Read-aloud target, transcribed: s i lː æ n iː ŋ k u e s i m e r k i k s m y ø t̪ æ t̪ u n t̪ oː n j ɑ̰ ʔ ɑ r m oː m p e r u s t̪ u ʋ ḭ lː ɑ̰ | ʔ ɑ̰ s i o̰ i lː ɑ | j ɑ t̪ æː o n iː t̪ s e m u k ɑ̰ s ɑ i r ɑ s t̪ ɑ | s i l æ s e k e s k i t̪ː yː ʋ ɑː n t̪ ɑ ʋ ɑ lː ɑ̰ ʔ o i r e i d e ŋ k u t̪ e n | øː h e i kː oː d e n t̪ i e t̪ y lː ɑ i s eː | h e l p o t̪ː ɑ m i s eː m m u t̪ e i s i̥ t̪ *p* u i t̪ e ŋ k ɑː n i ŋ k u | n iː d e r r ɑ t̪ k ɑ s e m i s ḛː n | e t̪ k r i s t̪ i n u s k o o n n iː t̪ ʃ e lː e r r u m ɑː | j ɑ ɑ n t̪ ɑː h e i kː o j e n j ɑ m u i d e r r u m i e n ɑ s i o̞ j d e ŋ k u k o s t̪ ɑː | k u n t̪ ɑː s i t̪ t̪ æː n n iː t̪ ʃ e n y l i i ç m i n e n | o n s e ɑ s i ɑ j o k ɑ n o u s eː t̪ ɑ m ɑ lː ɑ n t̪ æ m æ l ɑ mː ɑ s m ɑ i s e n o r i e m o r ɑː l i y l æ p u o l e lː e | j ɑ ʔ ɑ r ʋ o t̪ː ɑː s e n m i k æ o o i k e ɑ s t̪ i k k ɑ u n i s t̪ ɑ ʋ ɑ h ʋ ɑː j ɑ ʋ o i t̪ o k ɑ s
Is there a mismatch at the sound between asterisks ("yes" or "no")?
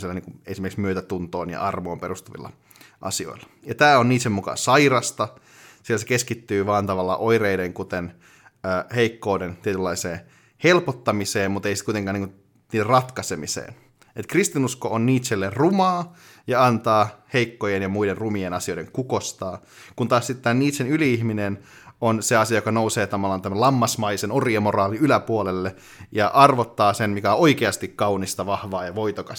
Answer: yes